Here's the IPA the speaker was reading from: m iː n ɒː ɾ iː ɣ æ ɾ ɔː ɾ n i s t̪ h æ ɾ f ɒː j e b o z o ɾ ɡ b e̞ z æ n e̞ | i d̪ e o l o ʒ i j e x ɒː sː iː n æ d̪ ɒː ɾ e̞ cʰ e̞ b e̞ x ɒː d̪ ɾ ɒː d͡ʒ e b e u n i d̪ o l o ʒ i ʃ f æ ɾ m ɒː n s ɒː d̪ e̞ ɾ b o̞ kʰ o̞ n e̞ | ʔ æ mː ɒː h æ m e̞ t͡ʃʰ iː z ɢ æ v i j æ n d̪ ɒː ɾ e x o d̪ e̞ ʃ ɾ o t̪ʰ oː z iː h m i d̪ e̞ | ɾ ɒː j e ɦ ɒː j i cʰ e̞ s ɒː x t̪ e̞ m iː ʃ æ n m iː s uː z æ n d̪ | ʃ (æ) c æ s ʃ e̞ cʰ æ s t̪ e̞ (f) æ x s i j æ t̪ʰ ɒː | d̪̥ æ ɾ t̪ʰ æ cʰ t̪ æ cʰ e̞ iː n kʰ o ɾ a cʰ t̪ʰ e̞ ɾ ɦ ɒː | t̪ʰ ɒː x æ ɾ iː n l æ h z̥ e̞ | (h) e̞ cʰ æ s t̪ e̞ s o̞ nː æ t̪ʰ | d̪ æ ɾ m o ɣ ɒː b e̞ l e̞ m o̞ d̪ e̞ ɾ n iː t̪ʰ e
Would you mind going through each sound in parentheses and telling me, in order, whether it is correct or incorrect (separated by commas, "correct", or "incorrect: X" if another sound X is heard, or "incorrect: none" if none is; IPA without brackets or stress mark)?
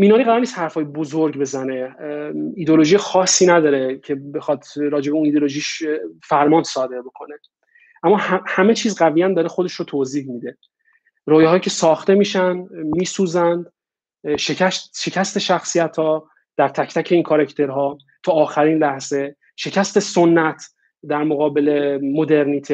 incorrect: e, incorrect: ʃ, incorrect: ʃ